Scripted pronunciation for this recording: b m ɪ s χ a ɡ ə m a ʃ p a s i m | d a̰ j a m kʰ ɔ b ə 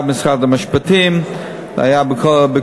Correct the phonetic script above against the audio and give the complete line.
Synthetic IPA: b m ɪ s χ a d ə m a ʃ p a t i m | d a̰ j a b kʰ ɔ b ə

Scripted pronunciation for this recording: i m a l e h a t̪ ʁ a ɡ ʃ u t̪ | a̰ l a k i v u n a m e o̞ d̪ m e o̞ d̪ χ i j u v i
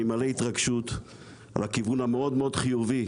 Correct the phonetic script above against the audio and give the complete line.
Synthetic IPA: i m a l e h i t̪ ʁ a ɡ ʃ u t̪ | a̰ l a k i v u n a m e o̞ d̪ m e o̞ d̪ χ i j u v i

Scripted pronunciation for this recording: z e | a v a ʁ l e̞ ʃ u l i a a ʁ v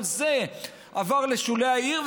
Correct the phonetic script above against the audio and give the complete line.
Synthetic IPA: z e | a v a ʁ l e̞ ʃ u l e a i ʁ v

